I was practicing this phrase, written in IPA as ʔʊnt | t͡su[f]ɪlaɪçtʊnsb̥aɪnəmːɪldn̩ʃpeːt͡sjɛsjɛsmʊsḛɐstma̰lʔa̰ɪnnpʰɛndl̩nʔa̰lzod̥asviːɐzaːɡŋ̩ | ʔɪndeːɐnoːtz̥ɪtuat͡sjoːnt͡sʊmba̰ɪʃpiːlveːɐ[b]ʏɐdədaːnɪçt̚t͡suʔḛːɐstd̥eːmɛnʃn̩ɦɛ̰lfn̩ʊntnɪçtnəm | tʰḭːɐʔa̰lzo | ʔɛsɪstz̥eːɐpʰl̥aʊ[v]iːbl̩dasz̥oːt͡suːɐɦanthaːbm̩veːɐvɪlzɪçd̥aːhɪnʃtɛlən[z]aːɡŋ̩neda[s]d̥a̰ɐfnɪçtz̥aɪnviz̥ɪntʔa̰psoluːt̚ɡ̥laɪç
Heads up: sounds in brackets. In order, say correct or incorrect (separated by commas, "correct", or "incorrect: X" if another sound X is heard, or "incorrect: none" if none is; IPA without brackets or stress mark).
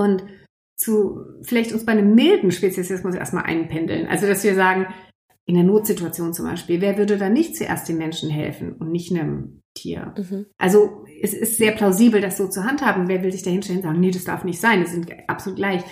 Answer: correct, incorrect: v, incorrect: z, correct, correct